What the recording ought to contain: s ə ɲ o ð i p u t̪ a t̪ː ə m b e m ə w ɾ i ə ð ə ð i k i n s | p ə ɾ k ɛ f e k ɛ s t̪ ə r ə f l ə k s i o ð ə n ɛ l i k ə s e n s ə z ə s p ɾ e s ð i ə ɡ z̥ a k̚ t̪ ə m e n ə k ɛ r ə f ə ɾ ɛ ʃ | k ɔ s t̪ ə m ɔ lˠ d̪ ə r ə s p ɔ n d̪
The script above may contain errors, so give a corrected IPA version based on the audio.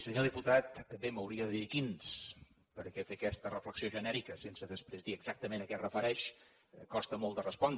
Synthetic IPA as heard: s ə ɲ o ð i p u t̪ a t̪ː ə m b e m ə w ɾ i ə ð ə ð i k i n s | p ə ɾ k ɛ f e k ɛ s t̪ ə r ə f l ə k s i o ʒ ə n ɛ ɾ i k ə s e n s ə ð ə s p ɾ e z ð i ə ɡ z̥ a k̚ t̪ ə m e n ə k ɛ r ə f ə ɾ ɛ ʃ | k ɔ s t̪ ə m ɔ lˠ d̪ ə r ə s p ɔ n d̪